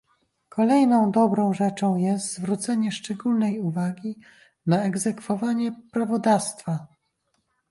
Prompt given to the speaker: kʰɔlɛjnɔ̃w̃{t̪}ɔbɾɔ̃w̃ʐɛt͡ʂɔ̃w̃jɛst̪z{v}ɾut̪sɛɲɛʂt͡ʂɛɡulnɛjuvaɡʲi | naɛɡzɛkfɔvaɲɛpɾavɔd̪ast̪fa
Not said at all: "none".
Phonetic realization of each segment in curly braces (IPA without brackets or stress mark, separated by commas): d̪, v